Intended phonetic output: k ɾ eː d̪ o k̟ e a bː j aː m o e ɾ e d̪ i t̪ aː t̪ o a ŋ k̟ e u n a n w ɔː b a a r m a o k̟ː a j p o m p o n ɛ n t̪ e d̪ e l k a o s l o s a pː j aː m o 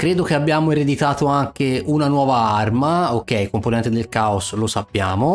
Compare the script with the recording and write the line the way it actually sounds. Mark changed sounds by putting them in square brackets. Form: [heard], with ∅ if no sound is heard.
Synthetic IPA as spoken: k ɾ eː d̪ o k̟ e a bː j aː m o e ɾ e d̪ i t̪ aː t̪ o a ŋ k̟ e u n a n w ɔː [v] a a r m a o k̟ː [ɛ] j [k] o m p o n ɛ n t̪ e d̪ e l k a o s l o s a pː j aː m o